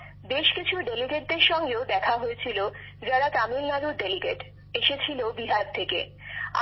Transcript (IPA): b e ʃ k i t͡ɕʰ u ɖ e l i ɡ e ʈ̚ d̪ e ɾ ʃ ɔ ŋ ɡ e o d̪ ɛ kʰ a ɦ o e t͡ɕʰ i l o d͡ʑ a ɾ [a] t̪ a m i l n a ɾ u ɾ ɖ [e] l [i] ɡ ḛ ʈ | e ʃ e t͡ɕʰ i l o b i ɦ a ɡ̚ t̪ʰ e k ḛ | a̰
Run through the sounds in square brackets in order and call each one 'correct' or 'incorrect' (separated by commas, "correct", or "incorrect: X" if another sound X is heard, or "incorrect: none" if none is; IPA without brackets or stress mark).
correct, correct, correct